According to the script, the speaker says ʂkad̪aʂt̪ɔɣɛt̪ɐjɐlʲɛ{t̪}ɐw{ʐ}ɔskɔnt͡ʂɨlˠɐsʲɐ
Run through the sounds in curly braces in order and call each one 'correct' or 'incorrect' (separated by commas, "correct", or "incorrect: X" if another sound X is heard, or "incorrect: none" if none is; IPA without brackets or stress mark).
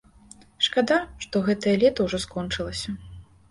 correct, correct